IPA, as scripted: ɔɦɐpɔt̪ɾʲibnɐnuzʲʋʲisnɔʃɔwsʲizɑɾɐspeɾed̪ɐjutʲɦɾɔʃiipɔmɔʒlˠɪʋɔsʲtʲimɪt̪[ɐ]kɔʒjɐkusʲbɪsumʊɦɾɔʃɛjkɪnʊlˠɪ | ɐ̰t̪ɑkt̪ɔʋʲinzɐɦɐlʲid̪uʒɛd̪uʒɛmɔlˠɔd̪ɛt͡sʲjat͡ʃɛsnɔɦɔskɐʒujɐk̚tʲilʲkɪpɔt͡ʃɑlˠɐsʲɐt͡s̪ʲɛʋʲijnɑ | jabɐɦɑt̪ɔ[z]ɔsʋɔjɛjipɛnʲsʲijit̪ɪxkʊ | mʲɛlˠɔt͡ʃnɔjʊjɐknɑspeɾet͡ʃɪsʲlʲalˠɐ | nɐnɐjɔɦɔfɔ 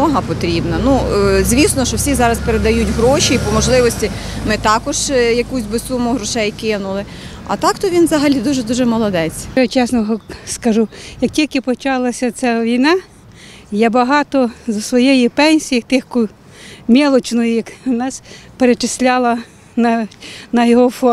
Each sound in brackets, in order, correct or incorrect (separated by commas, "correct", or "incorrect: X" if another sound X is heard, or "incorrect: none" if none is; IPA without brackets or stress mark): incorrect: ɑ, correct